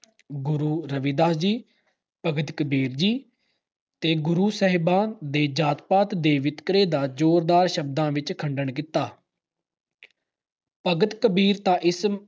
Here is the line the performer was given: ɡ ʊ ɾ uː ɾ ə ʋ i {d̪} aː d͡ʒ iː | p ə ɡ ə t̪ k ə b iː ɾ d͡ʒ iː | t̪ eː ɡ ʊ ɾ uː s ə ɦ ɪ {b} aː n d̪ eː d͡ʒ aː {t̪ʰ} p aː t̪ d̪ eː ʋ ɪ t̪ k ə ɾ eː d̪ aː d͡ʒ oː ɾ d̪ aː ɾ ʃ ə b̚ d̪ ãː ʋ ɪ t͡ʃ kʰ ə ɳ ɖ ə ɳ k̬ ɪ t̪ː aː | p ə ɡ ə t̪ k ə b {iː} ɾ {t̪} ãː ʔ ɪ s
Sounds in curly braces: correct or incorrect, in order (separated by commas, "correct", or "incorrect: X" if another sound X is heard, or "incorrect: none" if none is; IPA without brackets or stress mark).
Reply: correct, correct, incorrect: t̪, correct, correct